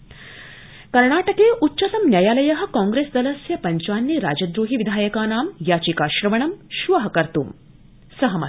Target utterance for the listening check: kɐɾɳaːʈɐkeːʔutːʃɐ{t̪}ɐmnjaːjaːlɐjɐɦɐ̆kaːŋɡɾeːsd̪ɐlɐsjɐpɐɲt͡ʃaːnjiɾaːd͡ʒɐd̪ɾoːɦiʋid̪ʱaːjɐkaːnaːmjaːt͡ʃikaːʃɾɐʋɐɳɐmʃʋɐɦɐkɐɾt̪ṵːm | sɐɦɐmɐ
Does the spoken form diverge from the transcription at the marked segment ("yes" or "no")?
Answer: no